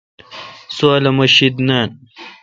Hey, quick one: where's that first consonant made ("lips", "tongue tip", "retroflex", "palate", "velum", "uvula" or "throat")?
tongue tip